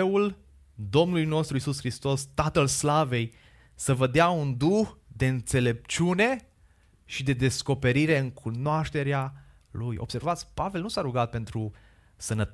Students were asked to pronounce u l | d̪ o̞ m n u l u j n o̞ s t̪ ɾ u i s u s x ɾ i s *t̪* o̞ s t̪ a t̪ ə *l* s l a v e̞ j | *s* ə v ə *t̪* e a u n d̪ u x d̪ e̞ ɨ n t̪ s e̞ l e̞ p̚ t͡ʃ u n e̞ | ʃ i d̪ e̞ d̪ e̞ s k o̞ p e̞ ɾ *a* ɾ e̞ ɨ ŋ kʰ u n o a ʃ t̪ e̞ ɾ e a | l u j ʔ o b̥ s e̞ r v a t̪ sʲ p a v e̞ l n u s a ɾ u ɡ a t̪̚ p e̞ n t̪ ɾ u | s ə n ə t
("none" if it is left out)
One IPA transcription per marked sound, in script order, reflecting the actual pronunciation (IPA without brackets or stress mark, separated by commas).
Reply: t̪, l, s, d̪, i